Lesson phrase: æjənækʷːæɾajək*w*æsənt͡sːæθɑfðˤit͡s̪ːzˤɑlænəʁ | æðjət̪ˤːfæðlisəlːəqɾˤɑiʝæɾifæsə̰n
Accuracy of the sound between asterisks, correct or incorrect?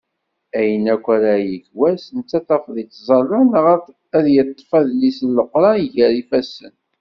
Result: correct